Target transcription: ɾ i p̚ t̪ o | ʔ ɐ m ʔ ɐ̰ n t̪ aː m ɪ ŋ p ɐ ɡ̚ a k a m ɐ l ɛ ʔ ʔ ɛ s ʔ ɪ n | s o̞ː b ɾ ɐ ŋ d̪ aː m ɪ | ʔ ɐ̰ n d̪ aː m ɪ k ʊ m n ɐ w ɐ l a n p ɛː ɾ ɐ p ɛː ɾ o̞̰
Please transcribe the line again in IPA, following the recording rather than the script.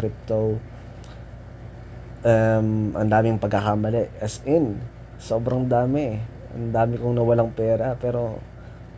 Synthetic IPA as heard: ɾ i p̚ t̪ o | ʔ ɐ m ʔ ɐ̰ n d̪ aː m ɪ ŋ p ɐ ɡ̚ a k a m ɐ l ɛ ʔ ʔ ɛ s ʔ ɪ n | s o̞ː b ɾ ɐ ŋ d̪ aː m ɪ | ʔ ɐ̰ n d̪ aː m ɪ k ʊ ŋ n ɐ w ɐ l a ŋ p ɛː ɾ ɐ p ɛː ɾ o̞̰